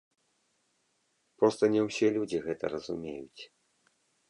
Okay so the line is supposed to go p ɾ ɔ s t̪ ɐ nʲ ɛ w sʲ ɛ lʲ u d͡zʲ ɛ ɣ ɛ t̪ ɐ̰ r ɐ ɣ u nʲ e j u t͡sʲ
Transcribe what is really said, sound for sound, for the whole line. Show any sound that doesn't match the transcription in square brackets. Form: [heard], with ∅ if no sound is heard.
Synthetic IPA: p ɾ ɔ s t̪ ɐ nʲ ɛ w sʲ ɛ lʲ u d͡zʲ [i] ɣ ɛ t̪ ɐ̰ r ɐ [z] u [mʲ] e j u t͡sʲ